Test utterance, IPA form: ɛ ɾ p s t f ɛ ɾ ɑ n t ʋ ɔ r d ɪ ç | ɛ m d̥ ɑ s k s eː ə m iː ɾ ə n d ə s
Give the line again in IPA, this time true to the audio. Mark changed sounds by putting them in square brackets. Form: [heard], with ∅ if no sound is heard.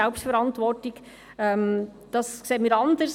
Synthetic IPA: ɛ [l] p s t f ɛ ɾ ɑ n t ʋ ɔ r [t] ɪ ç | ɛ m d̥ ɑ s k s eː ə m iː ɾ [ɑ] n d ə s